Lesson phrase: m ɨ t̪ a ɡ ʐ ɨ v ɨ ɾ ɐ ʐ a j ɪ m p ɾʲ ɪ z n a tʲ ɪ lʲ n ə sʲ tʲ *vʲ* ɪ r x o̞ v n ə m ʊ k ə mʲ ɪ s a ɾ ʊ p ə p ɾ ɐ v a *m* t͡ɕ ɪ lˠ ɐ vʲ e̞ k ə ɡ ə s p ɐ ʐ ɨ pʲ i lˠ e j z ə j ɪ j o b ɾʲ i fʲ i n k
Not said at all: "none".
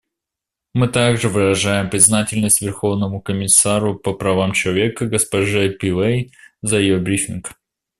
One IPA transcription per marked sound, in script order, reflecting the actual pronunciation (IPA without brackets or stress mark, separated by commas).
vʲ, m